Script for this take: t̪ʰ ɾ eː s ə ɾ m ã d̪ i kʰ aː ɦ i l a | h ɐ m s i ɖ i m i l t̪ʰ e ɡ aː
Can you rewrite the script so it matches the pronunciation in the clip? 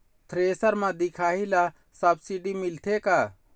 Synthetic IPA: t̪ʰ ɾ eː s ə ɾ m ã d̪ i kʰ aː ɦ i l a | s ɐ b s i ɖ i m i l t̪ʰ e k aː